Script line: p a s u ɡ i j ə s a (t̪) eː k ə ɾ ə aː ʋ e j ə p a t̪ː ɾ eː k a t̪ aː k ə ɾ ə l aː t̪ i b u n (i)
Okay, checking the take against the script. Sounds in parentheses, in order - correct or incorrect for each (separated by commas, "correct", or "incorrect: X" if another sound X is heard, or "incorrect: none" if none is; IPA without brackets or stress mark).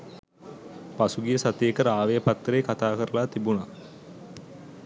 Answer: correct, incorrect: a